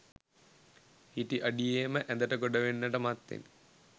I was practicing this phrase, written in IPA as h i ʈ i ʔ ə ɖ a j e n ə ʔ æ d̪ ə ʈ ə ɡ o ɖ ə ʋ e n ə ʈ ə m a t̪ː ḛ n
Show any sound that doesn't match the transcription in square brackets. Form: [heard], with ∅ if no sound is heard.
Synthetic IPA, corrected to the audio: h i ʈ i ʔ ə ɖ [i] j e [m] ə ʔ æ d̪ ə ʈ ə ɡ o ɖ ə ʋ e [nː] ə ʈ ə m a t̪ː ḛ n